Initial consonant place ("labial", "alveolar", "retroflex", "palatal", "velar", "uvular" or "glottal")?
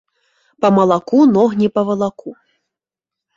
labial